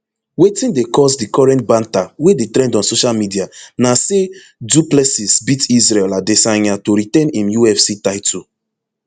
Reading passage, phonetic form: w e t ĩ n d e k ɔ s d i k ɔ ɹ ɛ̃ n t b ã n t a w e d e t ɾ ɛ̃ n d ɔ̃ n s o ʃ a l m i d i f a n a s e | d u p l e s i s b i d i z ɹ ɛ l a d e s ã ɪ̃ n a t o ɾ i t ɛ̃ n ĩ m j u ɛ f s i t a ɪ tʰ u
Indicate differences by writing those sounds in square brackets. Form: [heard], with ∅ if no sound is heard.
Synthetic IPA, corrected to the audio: w e t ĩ n d e k ɔ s d i k ɔ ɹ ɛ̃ n t b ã n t a w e d e t ɾ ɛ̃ n d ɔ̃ n s o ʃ a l m i d i [∅] a n a s e | d u p l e s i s b i [t] i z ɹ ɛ l a d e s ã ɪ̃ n a t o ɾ i t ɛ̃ n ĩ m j u ɛ f s i t a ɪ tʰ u